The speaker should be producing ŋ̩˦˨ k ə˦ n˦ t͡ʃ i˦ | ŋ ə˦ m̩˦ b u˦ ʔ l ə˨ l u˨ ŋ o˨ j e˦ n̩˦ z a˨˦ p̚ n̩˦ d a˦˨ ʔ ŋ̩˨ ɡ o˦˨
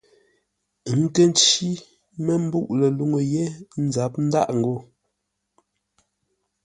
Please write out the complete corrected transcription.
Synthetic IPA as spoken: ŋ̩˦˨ k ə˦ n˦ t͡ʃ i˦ | m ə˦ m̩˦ b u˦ ʔ l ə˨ l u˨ ŋ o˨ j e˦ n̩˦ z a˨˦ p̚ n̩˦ d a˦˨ ʔ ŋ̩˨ ɡ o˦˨